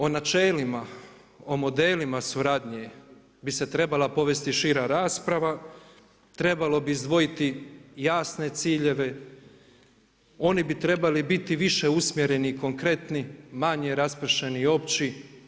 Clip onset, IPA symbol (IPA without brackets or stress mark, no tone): o̞